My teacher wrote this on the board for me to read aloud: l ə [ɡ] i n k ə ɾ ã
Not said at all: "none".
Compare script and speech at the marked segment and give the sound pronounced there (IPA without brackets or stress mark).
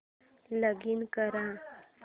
ɡ